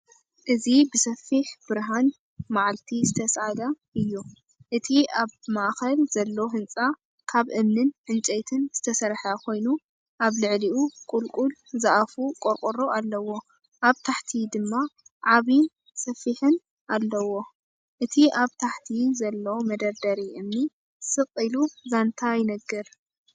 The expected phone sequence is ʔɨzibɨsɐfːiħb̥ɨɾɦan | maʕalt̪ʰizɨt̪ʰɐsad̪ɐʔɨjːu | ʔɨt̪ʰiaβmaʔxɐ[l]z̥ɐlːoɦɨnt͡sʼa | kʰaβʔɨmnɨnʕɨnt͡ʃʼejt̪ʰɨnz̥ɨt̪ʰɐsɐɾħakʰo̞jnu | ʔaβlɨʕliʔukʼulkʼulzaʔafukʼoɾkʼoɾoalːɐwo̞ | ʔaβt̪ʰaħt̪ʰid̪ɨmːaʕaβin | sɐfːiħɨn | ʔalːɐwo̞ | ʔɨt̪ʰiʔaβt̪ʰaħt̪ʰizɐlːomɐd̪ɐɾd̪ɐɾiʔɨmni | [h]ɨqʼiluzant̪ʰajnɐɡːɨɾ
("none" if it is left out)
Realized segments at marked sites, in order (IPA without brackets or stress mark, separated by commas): l, s